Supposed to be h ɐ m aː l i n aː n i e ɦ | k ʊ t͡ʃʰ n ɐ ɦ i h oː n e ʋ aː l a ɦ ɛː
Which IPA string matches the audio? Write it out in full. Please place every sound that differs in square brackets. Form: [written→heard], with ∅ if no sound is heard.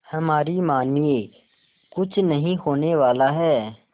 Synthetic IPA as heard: h ɐ m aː [l→ɾ] i [n→m] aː n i e [ɦ→∅] | k ʊ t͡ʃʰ n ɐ ɦ [i→ĩ] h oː n e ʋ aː l a ɦ ɛː